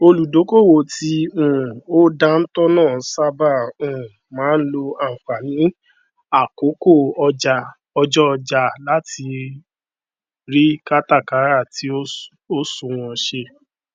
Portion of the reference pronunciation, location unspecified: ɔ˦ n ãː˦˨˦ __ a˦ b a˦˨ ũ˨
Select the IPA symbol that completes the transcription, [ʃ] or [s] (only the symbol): s